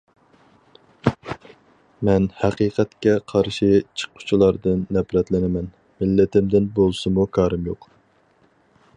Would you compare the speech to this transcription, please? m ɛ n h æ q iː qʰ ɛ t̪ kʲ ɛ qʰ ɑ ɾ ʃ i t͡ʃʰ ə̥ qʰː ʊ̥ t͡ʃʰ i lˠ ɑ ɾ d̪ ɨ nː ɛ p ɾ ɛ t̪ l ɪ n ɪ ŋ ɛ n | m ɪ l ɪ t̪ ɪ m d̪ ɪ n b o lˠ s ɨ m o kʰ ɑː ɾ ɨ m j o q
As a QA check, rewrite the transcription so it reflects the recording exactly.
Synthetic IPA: m ɛ n h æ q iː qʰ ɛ t̪ kʲ ɛ qʰ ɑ ɾ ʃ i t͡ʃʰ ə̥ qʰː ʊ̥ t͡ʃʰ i lˠ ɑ ɾ d̪ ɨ nː ɛ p ɾ ɛ t̪ l ɪ n ɪ m ɛ n | m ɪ lː ɪ t̪ ɪ m d̪ ɪ n b o lˠ s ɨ m u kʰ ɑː ɾ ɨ m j o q